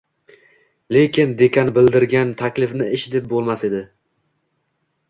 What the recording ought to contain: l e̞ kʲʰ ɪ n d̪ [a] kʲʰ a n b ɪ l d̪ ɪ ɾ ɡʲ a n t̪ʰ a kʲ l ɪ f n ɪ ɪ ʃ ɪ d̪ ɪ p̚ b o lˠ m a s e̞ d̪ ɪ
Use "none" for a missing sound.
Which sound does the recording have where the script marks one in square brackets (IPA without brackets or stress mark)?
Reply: e